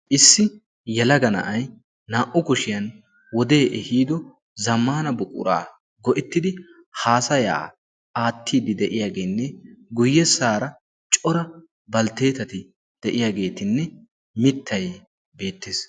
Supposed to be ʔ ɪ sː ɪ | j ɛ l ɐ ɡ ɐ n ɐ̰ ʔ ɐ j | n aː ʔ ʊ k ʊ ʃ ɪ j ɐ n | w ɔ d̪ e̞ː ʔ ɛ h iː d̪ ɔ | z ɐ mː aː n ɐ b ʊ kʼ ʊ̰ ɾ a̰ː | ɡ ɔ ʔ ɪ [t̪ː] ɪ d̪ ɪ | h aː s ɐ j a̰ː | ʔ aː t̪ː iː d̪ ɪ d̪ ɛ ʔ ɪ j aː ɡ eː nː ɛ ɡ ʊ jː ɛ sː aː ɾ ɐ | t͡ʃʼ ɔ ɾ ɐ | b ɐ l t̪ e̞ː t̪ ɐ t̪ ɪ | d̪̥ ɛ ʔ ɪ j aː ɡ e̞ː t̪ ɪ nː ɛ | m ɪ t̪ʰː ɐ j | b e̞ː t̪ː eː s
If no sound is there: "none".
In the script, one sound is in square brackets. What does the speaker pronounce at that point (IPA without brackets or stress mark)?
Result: t̪ː